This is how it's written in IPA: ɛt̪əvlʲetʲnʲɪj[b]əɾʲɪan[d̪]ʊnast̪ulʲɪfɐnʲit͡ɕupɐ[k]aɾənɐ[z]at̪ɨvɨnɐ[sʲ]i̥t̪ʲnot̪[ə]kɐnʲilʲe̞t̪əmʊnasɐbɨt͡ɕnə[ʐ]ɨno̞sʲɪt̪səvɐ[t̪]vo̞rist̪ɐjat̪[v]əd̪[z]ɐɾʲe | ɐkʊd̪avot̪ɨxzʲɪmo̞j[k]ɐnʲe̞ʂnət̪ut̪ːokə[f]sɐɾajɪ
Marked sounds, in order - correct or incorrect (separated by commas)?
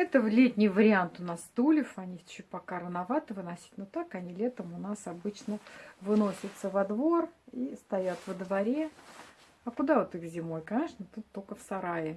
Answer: incorrect, incorrect, correct, incorrect, correct, incorrect, incorrect, incorrect, correct, incorrect, correct, correct